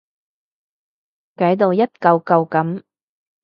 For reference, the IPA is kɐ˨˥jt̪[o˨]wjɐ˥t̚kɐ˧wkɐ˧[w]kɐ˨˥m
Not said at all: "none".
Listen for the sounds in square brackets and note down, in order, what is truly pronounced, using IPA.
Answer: o˨, w

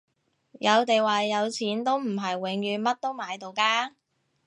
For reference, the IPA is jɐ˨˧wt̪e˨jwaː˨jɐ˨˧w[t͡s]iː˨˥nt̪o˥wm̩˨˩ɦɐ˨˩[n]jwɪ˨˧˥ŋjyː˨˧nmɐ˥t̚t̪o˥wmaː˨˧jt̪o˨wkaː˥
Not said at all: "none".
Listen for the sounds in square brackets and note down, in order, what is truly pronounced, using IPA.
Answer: t͡sʰ, none

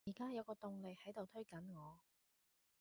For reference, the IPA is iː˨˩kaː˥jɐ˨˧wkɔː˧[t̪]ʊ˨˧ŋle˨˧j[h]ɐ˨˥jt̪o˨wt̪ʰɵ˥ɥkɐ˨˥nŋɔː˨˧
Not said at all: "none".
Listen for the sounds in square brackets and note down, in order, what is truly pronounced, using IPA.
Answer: t̪, h

